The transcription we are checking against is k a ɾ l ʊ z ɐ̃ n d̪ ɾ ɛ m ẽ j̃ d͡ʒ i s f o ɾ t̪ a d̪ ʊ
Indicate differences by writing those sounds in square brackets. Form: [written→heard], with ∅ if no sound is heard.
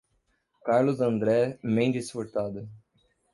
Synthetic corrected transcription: k a ɾ l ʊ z ɐ̃ n d̪ ɾ ɛ m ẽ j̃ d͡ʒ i s f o ɾ t̪ a d̪ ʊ